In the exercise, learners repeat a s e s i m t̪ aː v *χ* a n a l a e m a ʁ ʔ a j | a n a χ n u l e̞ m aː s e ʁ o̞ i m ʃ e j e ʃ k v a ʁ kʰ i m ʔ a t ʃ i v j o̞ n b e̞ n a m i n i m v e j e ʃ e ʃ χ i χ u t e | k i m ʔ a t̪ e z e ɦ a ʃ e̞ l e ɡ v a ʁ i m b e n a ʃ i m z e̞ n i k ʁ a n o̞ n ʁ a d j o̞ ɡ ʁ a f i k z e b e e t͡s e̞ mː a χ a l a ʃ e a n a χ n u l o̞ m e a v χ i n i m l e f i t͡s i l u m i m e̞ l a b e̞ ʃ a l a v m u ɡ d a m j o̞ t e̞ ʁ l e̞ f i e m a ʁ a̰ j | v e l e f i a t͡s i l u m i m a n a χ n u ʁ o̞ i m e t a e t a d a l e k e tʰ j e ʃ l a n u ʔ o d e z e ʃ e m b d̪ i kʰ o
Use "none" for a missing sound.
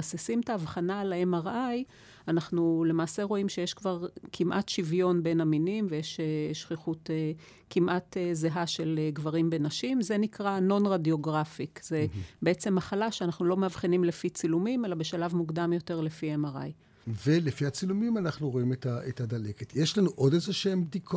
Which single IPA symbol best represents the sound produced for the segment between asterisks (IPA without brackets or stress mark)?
χ